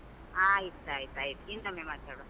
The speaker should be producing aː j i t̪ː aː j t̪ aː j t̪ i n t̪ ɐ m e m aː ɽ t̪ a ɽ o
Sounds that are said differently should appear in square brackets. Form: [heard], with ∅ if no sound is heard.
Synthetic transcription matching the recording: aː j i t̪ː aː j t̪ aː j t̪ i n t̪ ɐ m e m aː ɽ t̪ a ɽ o